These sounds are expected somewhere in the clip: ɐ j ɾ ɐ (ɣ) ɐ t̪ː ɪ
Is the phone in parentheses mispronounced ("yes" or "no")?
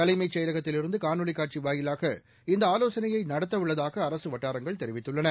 no